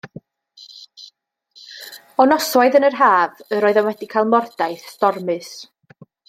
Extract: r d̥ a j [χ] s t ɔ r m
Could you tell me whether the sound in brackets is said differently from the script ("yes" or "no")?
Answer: yes